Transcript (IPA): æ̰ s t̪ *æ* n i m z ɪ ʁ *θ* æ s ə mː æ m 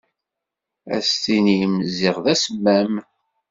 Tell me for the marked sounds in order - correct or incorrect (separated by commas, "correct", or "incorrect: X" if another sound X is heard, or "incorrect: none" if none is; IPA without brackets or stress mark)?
incorrect: i, incorrect: ð